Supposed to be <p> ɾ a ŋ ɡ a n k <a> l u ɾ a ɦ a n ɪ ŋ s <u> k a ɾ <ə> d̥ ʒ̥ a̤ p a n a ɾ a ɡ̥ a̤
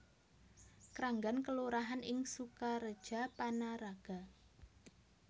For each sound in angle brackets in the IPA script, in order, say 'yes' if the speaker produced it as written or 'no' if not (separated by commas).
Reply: no, no, yes, yes